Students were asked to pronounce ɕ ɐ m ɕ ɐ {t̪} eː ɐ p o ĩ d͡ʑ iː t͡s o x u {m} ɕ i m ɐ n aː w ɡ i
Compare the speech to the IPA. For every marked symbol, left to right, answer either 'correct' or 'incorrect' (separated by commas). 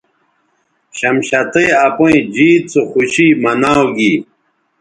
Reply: correct, incorrect